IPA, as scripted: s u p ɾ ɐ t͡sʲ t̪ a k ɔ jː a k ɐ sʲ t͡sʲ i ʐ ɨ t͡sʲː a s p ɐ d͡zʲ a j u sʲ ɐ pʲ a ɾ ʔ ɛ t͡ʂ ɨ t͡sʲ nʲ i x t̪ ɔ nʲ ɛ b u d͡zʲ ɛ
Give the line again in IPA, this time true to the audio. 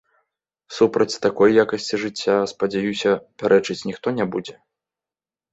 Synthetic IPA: s u p ɾ ɐ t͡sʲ t̪ a k ɔ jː a k ɐ sʲ t͡sʲ i ʐ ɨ t͡sʲː a s p ɐ d͡zʲ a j u sʲ ɐ pʲ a ɾ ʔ ɛ t͡ʂ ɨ t͡sʲ nʲ i x t̪ ɔ nʲ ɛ b u d͡zʲ ɛ